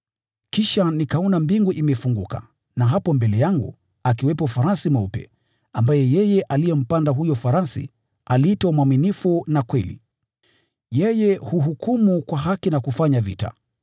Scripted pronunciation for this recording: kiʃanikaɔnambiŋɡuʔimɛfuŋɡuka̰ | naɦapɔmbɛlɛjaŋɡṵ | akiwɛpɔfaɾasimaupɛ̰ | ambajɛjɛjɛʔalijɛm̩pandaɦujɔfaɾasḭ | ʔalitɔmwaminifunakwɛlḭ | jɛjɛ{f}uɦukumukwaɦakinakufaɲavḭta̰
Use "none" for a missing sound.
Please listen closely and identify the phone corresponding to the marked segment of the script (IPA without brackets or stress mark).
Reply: h